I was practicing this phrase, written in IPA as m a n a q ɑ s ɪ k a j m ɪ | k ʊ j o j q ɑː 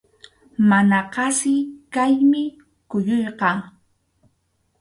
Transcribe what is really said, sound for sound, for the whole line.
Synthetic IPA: m a n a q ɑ s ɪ k a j m ɪ | k ʊ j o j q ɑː